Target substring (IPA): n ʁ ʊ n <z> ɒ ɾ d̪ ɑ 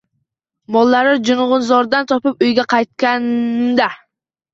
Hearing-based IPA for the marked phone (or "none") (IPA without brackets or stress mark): z